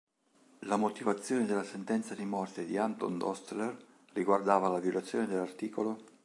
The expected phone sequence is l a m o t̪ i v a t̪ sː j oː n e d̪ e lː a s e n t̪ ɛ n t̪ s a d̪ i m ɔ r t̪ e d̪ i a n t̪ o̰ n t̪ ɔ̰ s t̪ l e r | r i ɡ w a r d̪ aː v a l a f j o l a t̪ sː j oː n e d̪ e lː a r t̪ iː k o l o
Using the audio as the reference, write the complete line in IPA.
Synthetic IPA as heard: l a m o t̪ i v a t̪ sː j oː n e d̪ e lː a s e n t̪ ɛ n t̪ s a d̪ i m ɔ r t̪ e d̪ i a n t̪ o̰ n d̪ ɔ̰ s t̪ l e r | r i ɡ w a r d̪ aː v a l a v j o l a t̪ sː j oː n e d̪ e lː a r t̪ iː k o l o